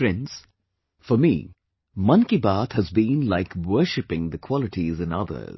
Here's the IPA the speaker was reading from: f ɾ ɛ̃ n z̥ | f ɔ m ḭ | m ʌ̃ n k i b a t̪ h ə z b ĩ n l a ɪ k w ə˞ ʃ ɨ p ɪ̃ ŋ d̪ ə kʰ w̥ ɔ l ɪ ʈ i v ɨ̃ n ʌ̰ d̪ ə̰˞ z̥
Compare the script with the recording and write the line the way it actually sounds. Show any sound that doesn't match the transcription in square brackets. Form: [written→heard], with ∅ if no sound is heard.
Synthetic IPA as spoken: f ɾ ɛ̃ n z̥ | f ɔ m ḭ | m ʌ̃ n k i b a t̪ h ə z b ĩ n l a ɪ k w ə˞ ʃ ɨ p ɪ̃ ŋ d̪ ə kʰ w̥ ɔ l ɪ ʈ i [v→z] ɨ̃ n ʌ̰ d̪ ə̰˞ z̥